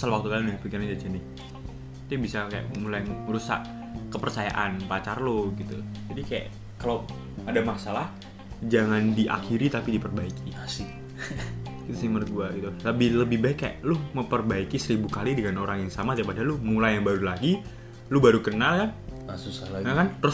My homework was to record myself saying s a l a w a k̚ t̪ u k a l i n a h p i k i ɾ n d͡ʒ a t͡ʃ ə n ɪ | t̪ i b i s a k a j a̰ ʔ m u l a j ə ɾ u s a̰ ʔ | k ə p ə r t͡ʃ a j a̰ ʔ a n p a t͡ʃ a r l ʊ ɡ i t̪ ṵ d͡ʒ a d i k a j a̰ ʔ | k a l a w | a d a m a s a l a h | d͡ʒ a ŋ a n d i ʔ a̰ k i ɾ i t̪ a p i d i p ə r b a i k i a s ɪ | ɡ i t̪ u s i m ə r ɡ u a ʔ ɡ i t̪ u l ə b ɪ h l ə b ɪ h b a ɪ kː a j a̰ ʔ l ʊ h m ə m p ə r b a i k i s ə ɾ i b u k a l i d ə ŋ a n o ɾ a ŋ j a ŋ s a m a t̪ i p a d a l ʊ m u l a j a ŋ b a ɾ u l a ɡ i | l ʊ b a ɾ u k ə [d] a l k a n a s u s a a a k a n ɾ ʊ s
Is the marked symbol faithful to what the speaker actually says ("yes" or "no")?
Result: no